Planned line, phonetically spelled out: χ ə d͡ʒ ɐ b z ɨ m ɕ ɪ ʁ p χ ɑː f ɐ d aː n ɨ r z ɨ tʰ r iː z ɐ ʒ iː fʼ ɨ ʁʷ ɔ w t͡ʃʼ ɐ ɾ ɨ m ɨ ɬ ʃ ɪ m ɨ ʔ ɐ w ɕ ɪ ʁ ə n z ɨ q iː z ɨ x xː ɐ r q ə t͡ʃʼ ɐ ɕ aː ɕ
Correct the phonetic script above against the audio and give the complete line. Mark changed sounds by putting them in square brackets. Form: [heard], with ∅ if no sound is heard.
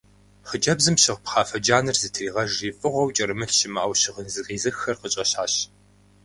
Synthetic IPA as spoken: χ ə d͡ʒ ɐ b z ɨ m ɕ ɪ ʁ p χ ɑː f ɐ [d͡ʒ] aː n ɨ r z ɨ tʰ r iː [ʁ] ɐ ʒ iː fʼ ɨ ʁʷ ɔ w t͡ʃʼ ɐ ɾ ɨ m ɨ ɬ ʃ ɪ m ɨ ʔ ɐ w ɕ ɪ ʁ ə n z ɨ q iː z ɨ x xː ɐ r q ə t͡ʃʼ ɐ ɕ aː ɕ